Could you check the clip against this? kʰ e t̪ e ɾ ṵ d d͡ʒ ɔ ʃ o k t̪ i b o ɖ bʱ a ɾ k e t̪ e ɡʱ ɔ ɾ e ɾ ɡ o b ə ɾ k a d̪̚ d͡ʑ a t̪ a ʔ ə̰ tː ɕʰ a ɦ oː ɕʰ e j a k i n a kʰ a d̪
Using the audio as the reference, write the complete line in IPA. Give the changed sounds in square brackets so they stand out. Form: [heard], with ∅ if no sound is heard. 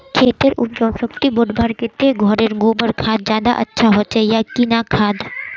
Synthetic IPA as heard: kʰ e t̪ e ɾ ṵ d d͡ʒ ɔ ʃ o k t̪ i b o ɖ bʱ a ɾ k e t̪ e ɡʱ ɔ ɾ e ɾ ɡ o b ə ɾ [kʰ] a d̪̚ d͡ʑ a [d̪] a ʔ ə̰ tː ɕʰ a ɦ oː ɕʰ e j a k i n a kʰ a d̪